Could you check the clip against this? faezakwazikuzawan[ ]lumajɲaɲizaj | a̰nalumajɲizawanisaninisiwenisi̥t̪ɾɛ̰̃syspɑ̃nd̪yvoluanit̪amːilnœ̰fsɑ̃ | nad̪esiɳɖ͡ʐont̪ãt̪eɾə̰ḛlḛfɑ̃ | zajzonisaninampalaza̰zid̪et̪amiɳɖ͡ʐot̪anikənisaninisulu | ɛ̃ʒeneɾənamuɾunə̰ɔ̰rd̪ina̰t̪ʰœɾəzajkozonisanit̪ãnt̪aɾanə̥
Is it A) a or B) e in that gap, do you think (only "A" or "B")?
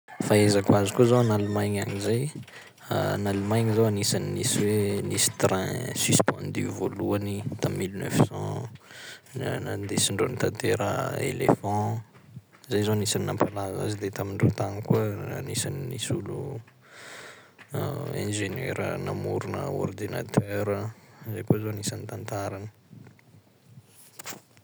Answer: A